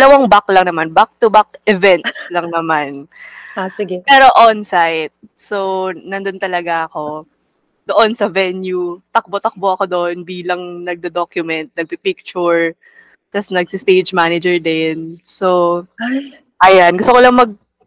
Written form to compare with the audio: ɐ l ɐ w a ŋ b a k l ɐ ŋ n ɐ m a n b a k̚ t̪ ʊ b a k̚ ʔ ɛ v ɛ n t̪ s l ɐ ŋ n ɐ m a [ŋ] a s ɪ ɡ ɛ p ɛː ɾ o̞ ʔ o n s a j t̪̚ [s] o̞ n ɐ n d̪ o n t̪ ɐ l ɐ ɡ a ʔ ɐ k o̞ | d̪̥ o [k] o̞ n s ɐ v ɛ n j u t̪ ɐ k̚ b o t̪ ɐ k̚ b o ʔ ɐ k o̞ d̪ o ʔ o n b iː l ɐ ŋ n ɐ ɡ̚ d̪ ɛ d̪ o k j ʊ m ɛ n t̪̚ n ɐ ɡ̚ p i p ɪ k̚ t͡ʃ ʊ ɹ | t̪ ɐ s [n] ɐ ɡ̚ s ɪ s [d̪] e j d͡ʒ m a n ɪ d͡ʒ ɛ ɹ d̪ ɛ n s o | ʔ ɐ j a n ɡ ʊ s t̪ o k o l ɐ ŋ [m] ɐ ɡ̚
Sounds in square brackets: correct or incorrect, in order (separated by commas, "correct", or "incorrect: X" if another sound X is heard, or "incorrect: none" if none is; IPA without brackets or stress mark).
incorrect: n, correct, incorrect: ʔ, correct, incorrect: t̪, correct